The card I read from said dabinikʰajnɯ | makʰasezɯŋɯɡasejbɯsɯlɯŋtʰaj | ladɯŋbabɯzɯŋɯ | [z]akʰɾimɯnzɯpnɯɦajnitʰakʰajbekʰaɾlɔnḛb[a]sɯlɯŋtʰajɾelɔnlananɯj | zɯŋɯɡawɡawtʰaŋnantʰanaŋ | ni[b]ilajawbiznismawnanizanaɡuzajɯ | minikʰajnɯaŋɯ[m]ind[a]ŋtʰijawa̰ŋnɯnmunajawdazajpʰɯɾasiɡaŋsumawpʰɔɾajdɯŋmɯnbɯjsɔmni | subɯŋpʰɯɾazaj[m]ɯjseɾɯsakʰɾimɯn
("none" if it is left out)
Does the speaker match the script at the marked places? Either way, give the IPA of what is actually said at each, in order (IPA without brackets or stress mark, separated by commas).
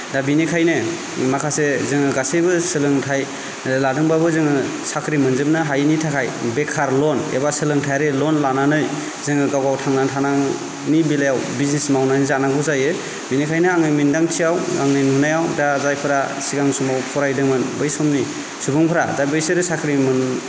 s, a, b, m, a, b